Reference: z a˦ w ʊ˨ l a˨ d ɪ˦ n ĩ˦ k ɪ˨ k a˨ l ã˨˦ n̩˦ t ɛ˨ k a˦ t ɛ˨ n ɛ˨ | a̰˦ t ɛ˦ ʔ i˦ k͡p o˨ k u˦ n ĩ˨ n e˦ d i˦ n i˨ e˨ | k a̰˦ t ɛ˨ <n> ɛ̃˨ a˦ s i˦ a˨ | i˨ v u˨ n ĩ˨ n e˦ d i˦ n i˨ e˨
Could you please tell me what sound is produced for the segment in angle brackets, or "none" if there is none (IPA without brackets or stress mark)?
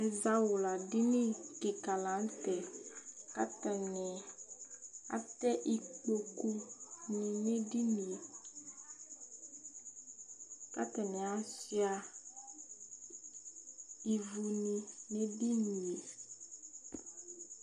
n